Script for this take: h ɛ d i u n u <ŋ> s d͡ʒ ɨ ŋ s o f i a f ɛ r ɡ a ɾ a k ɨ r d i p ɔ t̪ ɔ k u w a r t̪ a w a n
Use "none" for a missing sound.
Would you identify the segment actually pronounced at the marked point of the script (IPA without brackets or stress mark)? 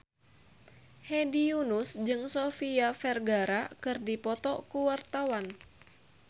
none